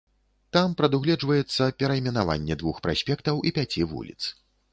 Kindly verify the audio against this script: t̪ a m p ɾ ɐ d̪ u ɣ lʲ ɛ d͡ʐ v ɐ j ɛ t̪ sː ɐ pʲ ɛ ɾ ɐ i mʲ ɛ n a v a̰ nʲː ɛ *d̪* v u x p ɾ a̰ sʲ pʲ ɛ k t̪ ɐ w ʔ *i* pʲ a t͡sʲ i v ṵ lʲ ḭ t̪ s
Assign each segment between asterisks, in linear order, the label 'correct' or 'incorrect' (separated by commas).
correct, correct